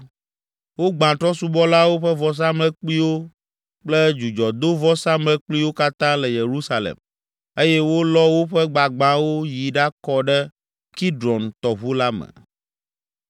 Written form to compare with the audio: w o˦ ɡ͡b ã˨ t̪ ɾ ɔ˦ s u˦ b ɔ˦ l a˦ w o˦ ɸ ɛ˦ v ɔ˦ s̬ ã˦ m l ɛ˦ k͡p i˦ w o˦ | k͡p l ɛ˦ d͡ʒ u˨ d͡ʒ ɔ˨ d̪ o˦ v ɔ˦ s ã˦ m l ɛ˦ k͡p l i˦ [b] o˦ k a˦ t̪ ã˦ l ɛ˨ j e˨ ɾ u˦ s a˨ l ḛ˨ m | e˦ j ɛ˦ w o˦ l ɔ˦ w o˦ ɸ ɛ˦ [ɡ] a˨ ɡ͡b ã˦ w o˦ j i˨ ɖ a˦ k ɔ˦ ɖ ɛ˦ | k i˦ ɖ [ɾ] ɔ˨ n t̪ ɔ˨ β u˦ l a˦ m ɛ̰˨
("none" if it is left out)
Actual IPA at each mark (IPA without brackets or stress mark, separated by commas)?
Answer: w, ɡ͡b, ɾ